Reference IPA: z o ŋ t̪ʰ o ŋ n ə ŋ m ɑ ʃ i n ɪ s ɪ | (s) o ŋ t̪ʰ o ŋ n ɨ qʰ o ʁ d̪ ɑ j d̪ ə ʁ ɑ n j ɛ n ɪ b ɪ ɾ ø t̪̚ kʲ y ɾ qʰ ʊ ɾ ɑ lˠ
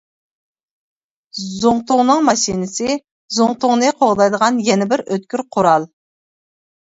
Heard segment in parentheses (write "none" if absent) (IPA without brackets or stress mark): z